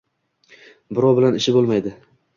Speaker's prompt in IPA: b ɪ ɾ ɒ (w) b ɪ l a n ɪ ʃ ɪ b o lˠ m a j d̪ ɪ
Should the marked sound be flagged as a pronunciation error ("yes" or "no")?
no